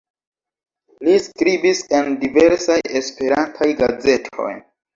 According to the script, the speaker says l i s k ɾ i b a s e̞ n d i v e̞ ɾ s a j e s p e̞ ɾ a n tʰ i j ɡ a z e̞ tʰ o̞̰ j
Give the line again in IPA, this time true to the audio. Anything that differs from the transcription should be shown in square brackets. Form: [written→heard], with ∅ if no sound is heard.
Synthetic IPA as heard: l i s k ɾ i b [a→i] s e̞ n d i v e̞ ɾ s a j e s p e̞ ɾ a n tʰ [i→a] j ɡ a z e̞ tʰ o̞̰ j